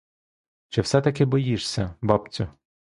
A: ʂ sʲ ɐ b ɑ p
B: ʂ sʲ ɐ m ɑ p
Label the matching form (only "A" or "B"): A